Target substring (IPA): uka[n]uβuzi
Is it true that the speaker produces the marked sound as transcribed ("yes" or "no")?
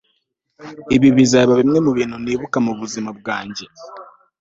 no